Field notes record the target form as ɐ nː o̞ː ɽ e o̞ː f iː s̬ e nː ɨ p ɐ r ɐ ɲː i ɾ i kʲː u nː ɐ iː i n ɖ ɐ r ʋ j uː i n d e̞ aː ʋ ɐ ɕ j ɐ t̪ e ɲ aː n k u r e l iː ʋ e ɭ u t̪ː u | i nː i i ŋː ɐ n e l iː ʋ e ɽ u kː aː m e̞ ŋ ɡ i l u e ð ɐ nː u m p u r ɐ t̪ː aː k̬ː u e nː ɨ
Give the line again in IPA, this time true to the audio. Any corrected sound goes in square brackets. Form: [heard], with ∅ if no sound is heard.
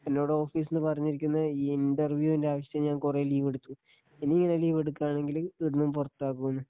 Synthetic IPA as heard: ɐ nː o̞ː ɽ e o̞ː f iː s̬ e nː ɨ p ɐ r ɐ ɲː i ɾ i kʲː u nː ɐ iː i n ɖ ɐ r ʋ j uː i n d e̞ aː ʋ ɐ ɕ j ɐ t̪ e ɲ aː n k u r e l iː ʋ e [ɽ] u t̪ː u | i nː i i ŋː ɐ n e l iː ʋ e ɽ u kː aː [ɳ] e̞ ŋ ɡ i l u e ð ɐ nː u m p u r ɐ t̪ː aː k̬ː u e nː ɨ